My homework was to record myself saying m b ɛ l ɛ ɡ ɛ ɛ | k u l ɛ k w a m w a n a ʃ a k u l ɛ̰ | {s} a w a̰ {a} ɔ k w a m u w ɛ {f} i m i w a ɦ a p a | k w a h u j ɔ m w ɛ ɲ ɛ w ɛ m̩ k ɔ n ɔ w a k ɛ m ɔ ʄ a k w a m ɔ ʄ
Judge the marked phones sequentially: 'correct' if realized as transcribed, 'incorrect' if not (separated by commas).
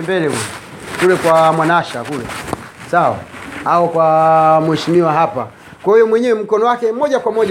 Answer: correct, correct, incorrect